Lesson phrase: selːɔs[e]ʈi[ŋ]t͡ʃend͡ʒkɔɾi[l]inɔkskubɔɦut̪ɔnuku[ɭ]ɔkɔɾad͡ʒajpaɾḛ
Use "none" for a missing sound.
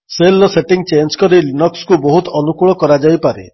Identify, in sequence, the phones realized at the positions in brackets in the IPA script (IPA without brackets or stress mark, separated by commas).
e, ŋ, l, ɭ